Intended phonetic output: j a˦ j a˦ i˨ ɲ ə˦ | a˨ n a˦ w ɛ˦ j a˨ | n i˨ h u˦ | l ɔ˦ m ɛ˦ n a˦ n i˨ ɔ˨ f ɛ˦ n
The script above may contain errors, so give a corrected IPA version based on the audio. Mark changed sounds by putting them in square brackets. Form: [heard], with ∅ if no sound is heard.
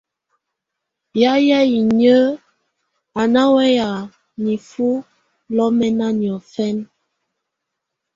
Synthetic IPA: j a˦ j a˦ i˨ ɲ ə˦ | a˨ n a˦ w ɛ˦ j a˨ | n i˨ [f] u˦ | l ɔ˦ m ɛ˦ n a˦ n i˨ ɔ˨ f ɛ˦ n